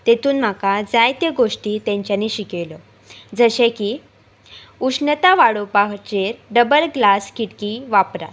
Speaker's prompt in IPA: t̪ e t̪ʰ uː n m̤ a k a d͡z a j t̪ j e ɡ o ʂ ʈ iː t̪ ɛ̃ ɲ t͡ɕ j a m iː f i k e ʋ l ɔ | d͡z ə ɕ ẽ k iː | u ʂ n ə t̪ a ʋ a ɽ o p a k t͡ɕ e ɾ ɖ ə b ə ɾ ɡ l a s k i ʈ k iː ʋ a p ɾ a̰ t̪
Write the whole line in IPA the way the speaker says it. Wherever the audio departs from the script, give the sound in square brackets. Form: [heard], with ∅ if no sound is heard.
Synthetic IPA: t̪ e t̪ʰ uː n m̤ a k a d͡z a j t̪ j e ɡ o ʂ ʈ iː t̪ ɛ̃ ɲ t͡ɕ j a [n] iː [ɕ] i k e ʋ l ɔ | d͡z ə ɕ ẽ k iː | u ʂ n ə t̪ a ʋ a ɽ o p a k t͡ɕ e ɾ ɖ ə b ə [l] ɡ l a s k i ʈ k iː ʋ a p ɾ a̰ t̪